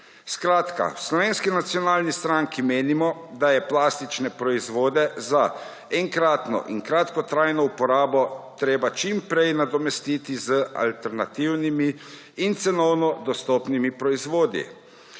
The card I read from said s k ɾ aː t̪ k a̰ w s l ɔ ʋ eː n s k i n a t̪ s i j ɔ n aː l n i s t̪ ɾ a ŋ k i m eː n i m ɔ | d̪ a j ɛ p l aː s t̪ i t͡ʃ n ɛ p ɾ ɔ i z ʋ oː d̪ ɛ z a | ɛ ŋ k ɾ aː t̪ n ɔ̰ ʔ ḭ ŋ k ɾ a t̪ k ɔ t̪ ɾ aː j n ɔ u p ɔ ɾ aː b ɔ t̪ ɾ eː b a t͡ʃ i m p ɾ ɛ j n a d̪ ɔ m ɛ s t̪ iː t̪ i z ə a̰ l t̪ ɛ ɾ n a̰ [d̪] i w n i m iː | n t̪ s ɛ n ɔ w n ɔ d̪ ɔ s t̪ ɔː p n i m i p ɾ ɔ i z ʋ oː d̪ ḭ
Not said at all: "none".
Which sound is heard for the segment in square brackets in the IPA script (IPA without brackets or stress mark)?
t̪